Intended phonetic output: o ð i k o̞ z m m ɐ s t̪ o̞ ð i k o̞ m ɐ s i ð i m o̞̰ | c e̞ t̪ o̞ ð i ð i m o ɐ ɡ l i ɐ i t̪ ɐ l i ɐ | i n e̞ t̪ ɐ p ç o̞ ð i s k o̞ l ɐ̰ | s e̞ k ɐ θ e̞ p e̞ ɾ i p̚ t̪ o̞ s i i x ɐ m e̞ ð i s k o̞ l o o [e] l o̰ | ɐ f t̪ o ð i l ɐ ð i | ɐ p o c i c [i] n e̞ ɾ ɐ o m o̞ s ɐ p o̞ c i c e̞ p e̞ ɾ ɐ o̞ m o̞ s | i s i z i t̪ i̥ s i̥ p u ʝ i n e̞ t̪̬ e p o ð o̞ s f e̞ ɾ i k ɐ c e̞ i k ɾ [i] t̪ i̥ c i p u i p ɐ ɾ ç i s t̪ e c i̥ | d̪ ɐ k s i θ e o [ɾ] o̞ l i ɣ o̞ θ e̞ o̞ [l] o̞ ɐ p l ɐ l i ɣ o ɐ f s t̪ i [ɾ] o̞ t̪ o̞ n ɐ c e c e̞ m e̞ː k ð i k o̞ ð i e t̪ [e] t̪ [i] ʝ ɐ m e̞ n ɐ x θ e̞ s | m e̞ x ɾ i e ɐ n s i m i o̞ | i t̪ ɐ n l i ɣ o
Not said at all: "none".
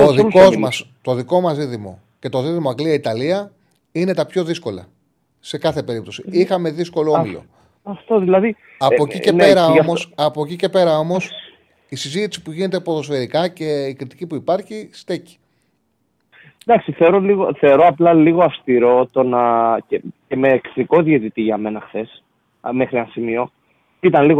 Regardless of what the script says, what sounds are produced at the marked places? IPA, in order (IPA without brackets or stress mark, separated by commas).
i, e, i, ɾ, ɾ, ɾ, i, i